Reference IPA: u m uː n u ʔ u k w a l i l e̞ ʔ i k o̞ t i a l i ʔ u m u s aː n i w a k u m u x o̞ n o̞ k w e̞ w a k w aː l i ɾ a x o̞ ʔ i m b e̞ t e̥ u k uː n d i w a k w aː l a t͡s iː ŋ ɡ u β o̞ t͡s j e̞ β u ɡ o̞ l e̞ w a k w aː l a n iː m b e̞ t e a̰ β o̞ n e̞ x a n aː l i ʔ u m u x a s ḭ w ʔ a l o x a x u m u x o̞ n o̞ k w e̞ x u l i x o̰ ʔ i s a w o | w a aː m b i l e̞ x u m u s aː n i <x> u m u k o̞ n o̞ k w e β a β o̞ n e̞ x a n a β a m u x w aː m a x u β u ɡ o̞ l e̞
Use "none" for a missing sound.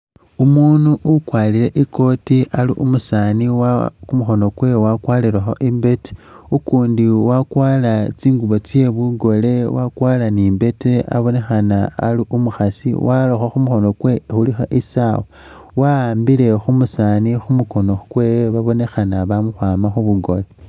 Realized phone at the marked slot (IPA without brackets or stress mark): x